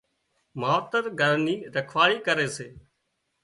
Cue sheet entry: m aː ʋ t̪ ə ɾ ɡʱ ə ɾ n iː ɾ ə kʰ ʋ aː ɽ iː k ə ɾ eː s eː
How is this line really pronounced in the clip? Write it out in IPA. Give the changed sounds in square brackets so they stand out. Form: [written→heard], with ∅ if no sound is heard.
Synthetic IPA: m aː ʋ t̪ ə ɾ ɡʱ ə ɾ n iː ɾ ə kʰ ʋ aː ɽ iː k ə ɾ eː s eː